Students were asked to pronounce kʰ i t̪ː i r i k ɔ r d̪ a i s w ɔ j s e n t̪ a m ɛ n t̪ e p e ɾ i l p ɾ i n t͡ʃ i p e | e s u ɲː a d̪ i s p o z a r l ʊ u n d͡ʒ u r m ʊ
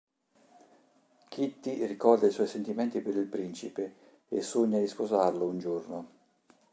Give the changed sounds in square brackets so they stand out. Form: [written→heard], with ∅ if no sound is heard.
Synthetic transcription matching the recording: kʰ i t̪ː i r i k ɔ r d̪ a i s w ɔ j s e n t̪ [a→i] m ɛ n t̪ [e→i] p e ɾ i l p ɾ i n t͡ʃ i p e | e s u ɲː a d̪ i s p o z a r l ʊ u n d͡ʒ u r [m→n] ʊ